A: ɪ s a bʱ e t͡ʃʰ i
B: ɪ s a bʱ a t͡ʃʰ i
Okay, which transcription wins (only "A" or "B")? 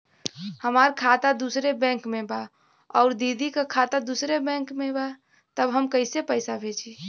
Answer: A